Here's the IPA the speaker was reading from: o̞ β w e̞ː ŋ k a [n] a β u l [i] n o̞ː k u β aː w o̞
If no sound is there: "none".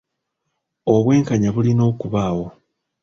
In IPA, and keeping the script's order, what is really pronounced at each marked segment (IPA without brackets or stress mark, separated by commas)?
ɲ, i